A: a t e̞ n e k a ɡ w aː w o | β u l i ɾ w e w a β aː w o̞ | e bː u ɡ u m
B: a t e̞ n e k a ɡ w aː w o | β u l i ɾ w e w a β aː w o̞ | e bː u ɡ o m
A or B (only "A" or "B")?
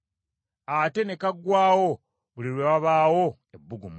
A